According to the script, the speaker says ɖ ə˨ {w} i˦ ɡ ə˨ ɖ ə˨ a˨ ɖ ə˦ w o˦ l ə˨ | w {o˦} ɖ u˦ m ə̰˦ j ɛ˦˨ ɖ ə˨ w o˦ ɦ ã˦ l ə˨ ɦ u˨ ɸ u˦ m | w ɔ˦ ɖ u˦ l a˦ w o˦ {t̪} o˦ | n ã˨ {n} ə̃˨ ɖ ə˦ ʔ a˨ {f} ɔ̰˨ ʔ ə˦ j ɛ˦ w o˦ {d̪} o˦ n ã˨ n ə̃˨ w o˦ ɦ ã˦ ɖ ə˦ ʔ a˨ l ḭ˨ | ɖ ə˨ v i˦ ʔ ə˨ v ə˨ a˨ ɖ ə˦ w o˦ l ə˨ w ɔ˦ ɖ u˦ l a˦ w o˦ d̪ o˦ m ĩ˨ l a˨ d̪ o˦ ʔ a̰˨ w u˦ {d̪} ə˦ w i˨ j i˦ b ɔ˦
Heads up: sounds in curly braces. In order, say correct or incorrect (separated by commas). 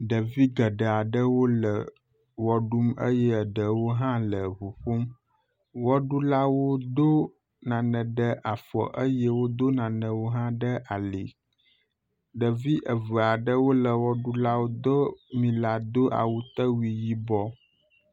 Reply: incorrect, incorrect, incorrect, correct, correct, correct, incorrect